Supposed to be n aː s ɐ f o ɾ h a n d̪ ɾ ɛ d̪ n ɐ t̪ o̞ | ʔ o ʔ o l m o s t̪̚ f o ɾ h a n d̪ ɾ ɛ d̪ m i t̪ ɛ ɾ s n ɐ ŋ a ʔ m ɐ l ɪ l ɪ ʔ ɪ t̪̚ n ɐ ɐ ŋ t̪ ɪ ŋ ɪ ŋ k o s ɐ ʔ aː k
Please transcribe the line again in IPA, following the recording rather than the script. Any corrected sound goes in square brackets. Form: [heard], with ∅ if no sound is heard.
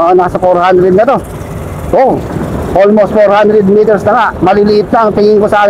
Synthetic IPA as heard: n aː s ɐ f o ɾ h a n d̪ ɾ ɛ d̪ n ɐ t̪ o̞ | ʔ o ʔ o l m o s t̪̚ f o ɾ h a n d̪ ɾ ɛ d̪ m i t̪ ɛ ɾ s n ɐ ŋ a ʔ m ɐ l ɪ l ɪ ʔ ɪ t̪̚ n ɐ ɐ ŋ t̪ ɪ ŋ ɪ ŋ k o s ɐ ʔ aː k

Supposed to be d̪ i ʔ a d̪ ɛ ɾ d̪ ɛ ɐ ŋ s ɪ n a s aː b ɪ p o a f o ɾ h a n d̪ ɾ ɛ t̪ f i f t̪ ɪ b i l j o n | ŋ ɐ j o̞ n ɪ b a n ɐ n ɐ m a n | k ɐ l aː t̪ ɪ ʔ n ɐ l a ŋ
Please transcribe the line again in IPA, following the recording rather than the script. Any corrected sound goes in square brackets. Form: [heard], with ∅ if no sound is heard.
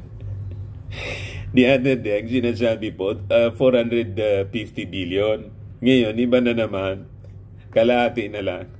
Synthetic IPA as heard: d̪ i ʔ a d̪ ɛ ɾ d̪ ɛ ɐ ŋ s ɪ n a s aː b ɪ p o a f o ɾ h a n d̪ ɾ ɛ [d̪] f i f t̪ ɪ b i l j o n | ŋ ɐ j o̞ n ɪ b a n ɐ n ɐ m a n | k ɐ l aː t̪ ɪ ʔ n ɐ l a ŋ

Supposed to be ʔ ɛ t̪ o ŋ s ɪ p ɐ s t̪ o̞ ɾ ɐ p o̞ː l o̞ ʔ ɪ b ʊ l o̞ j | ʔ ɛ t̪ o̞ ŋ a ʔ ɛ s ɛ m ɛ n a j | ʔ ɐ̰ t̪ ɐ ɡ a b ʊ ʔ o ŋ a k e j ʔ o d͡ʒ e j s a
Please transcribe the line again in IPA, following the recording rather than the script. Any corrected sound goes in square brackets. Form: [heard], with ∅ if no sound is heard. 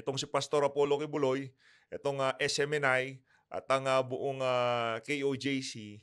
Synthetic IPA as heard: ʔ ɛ t̪ o ŋ s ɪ p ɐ s t̪ o̞ ɾ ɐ p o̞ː l o̞ [k] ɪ b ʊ l o̞ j | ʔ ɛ t̪ o̞ ŋ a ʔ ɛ s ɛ m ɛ n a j | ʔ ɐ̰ t̪ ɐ [ŋ] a b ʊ ʔ o ŋ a k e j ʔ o d͡ʒ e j s [i]

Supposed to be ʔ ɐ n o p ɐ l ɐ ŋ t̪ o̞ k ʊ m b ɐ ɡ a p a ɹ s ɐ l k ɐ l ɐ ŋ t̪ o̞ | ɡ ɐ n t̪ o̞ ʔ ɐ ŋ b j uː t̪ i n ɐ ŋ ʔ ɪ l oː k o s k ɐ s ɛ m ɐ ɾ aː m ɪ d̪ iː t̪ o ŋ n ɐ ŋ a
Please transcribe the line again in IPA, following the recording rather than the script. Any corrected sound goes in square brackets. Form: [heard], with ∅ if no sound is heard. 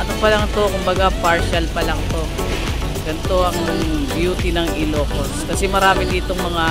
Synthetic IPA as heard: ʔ ɐ n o p ɐ l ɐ ŋ t̪ o̞ k ʊ m b ɐ ɡ a p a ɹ [ʃ] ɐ l [p] ɐ l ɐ ŋ t̪ o̞ | ɡ ɐ n t̪ o̞ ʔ ɐ ŋ b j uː t̪ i n ɐ ŋ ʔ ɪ l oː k o s k ɐ s ɛ m ɐ ɾ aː m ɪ d̪ iː t̪ o ŋ [m] ɐ ŋ a

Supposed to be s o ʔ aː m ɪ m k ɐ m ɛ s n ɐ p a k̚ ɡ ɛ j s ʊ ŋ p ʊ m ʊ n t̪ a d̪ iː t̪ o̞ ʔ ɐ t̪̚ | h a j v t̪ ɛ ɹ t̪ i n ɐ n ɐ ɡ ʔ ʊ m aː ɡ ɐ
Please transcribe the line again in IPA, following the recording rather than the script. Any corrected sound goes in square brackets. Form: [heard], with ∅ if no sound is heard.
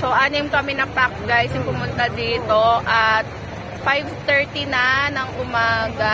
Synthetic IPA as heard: s o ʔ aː [n] ɪ m k ɐ m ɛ [∅] n ɐ p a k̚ ɡ [a] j s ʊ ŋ p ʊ m ʊ n t̪ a d̪ iː t̪ o̞ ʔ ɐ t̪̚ | [f] a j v t̪ ɛ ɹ t̪ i n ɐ n ɐ [ŋ] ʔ ʊ m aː ɡ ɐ

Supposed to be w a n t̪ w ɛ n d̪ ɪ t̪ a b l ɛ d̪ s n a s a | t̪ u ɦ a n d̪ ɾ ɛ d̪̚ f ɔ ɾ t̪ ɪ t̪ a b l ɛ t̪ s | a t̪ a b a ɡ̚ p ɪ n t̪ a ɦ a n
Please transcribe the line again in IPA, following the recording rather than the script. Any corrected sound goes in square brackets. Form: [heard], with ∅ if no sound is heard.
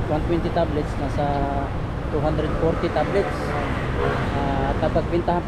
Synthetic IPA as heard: w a n t̪ w ɛ n [t̪] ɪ t̪ a b l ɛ [t̪] s n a s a | t̪ u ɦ a n d̪ ɾ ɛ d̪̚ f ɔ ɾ t̪ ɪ t̪ a b l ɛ t̪ s | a t̪ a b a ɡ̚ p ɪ n t̪ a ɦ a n

